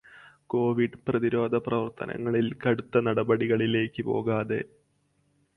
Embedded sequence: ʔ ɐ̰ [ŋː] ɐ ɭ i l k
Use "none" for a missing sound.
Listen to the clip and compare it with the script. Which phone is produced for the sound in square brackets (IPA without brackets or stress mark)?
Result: ŋː